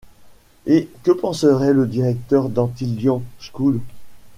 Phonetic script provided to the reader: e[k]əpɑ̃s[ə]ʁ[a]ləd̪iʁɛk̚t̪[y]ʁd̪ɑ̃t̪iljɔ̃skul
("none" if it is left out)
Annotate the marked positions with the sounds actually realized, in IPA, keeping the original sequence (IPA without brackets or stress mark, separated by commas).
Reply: k, ə, ɛ, œ